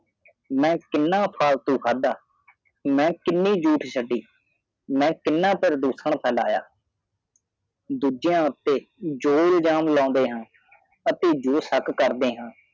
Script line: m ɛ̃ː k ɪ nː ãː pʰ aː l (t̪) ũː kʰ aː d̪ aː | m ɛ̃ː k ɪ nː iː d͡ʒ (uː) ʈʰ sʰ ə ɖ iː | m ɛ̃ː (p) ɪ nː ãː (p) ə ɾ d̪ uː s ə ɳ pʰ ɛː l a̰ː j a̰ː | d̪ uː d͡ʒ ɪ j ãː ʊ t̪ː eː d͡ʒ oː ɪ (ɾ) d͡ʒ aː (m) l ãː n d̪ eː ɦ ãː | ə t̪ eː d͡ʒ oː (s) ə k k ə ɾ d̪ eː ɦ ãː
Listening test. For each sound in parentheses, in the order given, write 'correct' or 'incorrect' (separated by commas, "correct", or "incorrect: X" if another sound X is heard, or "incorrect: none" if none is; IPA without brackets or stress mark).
correct, correct, incorrect: k, correct, incorrect: l, correct, correct